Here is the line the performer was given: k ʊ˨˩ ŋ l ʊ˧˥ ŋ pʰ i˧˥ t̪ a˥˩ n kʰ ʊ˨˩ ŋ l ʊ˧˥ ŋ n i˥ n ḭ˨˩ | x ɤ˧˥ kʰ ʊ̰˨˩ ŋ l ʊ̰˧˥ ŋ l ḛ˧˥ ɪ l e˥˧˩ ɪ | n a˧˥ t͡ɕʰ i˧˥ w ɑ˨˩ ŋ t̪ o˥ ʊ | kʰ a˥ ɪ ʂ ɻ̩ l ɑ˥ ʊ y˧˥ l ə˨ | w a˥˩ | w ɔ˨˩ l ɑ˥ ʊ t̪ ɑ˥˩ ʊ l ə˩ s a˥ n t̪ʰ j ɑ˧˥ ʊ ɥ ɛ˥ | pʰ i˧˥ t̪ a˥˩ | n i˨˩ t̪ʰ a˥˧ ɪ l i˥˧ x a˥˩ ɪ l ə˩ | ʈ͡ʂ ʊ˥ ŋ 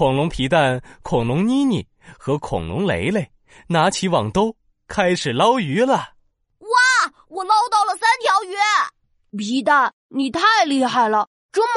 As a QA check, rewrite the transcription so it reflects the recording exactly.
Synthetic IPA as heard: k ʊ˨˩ ŋ l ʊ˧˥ ŋ pʰ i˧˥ t̪ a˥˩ n kʰ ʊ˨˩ ŋ l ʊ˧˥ ŋ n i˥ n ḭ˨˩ | x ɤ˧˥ kʰ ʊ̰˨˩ ŋ l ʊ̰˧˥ ŋ l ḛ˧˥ ɪ l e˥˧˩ ɪ | n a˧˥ t͡ɕʰ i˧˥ w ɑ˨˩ ŋ t̪ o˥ ʊ | kʰ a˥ ɪ ʂ ɻ̩ l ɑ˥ ʊ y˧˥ l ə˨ | w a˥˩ | w ɔ˨˩ l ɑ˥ ʊ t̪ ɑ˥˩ ʊ l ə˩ s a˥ n t̪ʰ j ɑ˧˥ ʊ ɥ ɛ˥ | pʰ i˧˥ t̪ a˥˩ | n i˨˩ t̪ʰ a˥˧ ɪ l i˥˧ x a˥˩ ɪ l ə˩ | ʈ͡ʂ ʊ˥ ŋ